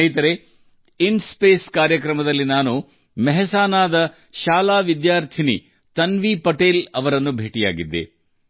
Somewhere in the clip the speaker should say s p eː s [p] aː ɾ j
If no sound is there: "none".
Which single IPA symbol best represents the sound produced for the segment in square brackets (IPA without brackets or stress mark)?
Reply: k